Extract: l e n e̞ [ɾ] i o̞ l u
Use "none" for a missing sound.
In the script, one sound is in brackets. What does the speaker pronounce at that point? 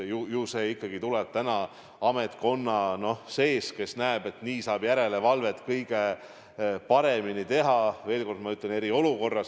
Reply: ɾ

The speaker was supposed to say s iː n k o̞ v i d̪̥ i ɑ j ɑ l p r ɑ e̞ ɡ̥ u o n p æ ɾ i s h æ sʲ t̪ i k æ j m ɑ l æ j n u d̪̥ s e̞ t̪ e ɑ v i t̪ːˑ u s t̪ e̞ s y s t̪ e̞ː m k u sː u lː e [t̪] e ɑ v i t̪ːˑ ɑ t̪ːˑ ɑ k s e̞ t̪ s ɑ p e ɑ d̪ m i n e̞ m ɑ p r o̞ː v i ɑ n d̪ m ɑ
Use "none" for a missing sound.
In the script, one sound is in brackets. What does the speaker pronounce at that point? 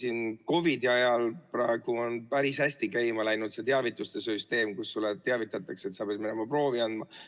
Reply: t̪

